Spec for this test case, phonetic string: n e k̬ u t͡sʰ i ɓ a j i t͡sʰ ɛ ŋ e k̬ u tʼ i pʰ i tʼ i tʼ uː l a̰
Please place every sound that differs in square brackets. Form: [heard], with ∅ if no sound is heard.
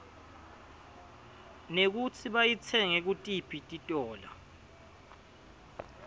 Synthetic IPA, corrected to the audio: n e k̬ u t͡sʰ i ɓ a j i t͡sʰ ɛ ŋ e k̬ u tʼ i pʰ i tʼ i tʼ [ɔː] l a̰